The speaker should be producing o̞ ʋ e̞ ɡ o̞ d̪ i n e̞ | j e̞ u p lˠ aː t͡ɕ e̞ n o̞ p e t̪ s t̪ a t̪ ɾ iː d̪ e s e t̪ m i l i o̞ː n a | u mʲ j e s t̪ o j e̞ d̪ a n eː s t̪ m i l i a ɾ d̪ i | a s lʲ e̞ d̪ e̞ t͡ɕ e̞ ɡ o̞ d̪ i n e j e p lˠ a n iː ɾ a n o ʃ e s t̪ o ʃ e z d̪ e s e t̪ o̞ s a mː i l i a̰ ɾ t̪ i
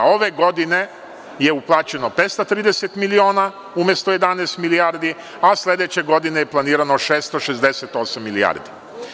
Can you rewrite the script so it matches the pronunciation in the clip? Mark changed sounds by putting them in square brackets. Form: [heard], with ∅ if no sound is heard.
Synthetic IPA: o̞ ʋ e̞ ɡ o̞ d̪ i n e̞ | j e̞ u p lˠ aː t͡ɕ e̞ n o̞ p e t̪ s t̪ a t̪ ɾ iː d̪ e s e t̪ m i l i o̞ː n a | u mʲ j e s t̪ o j e̞ d̪ a n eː s t̪ m i l i a ɾ d̪ i | a s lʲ e̞ d̪ e̞ t͡ɕ e̞ ɡ o̞ d̪ i n e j e p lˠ a n iː ɾ a n o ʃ e s t̪ o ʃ e z d̪ e s e t̪ o̞ s a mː i l i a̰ ɾ [d̪] i